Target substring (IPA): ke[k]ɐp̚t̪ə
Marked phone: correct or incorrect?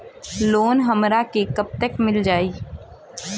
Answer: correct